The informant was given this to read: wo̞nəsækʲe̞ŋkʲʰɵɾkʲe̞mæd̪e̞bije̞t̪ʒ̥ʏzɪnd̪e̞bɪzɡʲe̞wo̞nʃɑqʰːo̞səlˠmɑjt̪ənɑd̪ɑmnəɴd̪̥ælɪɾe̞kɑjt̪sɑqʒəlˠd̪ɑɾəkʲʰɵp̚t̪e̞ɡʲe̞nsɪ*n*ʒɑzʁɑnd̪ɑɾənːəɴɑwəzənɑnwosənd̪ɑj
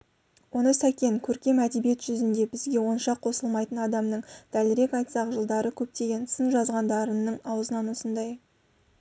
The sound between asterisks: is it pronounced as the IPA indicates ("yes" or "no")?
yes